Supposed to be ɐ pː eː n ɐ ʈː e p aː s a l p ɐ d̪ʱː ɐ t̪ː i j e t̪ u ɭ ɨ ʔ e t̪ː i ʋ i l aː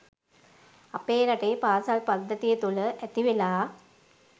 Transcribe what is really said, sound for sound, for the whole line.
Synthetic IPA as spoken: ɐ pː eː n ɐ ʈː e p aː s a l p ɐ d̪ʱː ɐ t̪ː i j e t̪ u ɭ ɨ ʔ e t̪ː i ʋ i l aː